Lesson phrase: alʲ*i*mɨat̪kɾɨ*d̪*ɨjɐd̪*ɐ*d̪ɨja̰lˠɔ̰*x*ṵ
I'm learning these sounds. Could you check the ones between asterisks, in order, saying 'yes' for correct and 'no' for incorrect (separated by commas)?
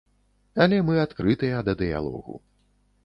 no, no, yes, no